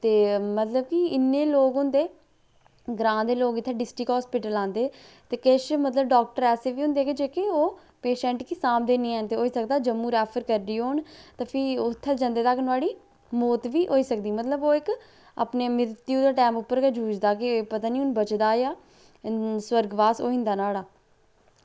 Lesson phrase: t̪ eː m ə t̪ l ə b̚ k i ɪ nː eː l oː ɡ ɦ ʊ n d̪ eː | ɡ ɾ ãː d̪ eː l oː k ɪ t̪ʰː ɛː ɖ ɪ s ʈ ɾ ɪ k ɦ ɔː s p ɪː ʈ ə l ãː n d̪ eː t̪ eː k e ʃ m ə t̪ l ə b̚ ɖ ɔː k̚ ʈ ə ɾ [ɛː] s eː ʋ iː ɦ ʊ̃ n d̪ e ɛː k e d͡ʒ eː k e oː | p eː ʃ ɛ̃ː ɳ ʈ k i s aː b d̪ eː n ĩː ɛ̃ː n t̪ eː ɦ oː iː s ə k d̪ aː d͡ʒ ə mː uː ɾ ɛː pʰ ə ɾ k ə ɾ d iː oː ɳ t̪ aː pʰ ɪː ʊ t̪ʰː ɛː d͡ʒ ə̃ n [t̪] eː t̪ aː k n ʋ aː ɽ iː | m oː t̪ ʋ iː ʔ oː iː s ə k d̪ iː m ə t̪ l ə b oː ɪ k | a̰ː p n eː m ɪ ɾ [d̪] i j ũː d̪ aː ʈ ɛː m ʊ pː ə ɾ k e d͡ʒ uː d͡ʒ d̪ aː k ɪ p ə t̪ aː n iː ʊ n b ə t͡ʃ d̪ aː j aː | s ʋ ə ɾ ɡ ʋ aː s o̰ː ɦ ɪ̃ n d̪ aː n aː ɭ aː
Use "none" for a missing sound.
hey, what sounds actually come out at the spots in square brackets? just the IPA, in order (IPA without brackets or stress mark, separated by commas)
ɛː, d̪, t̪